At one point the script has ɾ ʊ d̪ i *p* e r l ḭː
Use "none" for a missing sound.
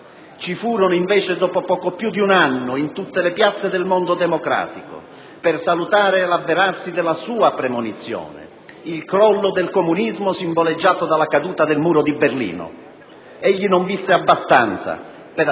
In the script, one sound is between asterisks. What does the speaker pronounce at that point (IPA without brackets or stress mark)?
b